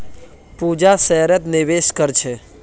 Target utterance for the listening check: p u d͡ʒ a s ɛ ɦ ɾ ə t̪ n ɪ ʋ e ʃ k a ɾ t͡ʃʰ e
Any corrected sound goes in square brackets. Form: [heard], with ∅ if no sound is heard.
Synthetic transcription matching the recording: p u d͡ʒ a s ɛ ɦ ɾ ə t̪ n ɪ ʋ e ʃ k [ə] ɾ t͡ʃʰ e